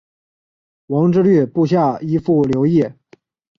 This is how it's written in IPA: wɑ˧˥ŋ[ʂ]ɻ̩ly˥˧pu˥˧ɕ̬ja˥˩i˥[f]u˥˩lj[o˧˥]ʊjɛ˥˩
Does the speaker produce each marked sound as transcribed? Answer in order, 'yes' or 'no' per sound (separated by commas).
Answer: no, yes, yes